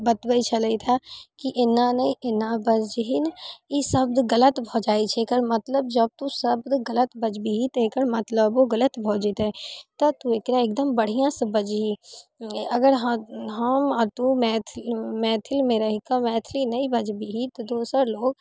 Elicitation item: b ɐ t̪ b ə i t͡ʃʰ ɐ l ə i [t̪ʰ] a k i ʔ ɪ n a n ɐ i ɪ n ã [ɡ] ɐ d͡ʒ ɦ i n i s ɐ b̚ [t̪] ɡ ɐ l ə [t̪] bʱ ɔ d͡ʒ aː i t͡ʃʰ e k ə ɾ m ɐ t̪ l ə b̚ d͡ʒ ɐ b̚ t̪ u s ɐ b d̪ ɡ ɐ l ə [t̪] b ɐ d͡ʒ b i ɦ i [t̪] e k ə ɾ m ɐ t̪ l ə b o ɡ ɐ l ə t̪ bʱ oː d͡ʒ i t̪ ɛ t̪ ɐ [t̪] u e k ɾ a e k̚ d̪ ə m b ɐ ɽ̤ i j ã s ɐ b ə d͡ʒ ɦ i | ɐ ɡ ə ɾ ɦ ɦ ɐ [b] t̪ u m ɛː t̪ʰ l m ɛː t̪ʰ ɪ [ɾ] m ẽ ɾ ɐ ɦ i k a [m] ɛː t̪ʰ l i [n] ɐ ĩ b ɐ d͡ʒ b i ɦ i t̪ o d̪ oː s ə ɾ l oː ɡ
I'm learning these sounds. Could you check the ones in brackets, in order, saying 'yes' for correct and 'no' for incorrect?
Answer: yes, no, no, yes, yes, yes, yes, no, no, yes, yes

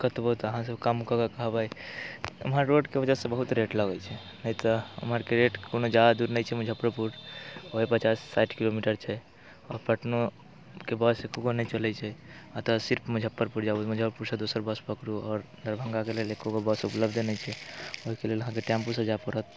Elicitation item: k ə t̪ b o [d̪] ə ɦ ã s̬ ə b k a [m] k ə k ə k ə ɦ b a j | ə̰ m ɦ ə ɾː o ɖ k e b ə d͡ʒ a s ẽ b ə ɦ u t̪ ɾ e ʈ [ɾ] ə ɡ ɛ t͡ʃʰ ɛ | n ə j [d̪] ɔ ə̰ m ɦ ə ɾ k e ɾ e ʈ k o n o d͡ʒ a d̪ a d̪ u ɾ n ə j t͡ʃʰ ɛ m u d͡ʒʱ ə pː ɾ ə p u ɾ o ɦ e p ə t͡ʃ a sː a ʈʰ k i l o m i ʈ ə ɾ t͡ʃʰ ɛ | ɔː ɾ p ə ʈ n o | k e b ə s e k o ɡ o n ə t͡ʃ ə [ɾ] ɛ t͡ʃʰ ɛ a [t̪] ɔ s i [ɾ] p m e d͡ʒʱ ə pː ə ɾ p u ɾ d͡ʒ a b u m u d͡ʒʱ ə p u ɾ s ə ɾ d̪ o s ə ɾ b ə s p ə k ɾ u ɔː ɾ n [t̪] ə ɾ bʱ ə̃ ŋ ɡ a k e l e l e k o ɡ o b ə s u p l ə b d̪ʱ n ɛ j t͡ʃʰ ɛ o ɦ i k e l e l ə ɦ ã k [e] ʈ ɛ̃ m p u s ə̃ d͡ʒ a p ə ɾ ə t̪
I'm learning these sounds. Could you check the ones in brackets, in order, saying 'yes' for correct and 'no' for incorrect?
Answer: no, yes, no, no, no, yes, yes, no, yes

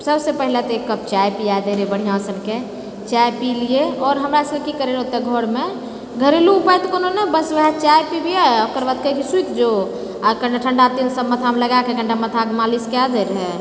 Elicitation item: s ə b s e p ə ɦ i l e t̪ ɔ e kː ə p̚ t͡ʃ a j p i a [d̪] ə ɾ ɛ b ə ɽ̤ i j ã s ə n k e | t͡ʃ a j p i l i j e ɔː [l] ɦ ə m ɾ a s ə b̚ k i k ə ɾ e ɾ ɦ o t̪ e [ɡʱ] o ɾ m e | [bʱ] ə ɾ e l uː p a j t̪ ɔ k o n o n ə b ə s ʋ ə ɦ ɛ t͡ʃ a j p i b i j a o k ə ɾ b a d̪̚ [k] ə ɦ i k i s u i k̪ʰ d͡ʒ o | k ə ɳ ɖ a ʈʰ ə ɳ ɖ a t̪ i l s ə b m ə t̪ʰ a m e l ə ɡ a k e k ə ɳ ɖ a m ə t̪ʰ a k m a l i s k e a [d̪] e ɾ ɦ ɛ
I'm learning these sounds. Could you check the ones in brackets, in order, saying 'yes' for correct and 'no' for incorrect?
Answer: yes, no, yes, no, yes, yes

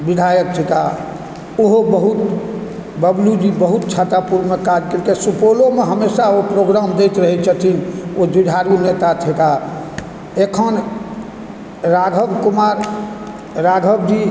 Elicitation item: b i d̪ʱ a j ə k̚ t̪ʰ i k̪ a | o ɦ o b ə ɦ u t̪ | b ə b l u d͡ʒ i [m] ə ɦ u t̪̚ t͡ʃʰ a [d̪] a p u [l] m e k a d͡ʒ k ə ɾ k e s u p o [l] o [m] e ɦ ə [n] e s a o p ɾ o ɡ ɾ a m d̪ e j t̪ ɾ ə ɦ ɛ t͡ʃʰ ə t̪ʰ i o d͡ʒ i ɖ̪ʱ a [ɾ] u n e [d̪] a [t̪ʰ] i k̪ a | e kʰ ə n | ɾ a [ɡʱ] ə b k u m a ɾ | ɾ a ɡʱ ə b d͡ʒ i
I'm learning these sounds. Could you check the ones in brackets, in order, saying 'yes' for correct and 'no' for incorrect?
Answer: no, no, no, yes, yes, no, yes, no, yes, yes

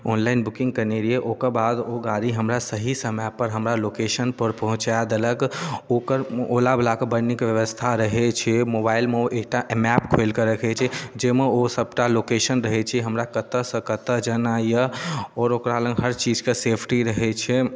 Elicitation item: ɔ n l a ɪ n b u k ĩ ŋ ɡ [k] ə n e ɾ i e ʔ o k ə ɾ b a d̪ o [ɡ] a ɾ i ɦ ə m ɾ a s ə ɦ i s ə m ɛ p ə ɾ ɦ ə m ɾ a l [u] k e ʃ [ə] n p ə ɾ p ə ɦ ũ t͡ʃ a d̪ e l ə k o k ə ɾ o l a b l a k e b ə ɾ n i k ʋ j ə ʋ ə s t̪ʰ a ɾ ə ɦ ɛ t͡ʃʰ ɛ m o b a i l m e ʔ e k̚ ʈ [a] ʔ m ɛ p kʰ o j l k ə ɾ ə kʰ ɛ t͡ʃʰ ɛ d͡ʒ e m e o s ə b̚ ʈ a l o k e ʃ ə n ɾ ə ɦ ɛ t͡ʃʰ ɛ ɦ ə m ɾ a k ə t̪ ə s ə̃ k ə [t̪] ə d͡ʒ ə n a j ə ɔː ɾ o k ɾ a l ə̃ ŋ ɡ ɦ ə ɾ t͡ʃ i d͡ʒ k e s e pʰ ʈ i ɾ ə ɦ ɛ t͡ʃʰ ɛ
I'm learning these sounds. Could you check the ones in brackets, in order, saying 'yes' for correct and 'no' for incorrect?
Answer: yes, yes, no, yes, yes, yes

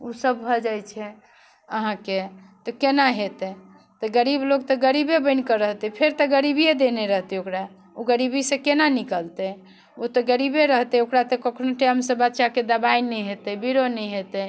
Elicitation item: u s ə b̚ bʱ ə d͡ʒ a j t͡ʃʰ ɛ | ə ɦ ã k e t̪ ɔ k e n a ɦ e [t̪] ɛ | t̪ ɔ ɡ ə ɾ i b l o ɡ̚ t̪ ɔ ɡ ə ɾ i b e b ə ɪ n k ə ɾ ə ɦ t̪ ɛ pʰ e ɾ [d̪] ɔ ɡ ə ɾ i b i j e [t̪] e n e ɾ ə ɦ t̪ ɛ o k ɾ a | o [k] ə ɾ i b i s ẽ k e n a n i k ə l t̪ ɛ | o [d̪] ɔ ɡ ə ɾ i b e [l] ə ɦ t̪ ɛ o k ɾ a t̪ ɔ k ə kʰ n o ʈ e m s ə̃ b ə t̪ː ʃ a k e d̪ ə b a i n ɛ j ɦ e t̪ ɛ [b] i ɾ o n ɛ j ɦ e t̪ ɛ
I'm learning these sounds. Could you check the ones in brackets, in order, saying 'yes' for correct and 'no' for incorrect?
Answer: yes, no, no, no, no, no, yes

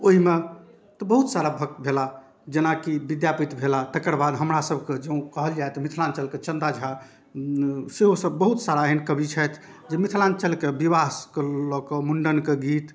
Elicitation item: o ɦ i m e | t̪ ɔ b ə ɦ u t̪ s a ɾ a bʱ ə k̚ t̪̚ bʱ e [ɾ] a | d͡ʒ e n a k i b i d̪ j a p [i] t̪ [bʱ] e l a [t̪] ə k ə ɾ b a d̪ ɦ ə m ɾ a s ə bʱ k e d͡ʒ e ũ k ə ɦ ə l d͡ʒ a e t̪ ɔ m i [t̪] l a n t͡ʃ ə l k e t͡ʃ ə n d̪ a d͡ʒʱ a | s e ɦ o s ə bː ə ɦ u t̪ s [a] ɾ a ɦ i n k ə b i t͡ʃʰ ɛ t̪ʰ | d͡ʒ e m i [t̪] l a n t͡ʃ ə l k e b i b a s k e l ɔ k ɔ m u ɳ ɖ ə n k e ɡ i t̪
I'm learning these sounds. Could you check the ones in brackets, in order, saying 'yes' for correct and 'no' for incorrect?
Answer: no, yes, yes, yes, no, yes, no

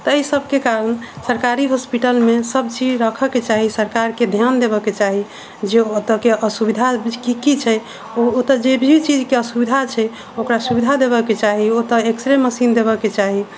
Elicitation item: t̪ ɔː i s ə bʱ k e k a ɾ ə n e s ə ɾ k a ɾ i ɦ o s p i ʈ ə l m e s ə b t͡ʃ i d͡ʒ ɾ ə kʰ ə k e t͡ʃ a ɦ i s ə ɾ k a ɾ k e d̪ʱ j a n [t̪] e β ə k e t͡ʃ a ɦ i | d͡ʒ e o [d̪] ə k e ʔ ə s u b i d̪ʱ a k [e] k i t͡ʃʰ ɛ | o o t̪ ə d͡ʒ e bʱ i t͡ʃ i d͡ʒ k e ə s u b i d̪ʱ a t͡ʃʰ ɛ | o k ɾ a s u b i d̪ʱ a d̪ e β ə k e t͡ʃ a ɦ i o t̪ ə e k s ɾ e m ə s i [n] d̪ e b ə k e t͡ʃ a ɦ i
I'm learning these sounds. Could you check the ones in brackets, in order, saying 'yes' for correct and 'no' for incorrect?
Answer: no, no, no, yes

